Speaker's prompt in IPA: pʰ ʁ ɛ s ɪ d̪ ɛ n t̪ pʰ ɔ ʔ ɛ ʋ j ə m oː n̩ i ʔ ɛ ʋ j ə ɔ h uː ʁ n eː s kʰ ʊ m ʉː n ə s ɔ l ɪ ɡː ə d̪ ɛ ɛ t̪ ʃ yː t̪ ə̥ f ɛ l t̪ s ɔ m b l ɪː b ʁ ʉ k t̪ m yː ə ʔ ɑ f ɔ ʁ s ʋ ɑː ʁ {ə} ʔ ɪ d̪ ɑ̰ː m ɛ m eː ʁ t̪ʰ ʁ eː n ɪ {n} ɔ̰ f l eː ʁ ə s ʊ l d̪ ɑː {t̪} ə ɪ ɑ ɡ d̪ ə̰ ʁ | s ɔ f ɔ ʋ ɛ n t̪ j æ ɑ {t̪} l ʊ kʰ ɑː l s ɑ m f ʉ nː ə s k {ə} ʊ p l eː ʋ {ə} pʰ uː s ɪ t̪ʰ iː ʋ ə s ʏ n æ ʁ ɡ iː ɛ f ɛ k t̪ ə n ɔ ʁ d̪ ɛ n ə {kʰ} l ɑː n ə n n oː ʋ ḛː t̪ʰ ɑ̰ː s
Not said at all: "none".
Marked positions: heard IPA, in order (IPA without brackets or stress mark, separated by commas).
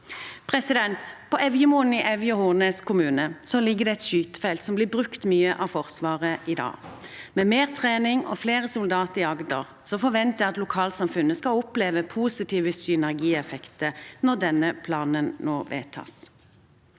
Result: ə, ŋ, t̪, t̪, ɑ, ə, pʰ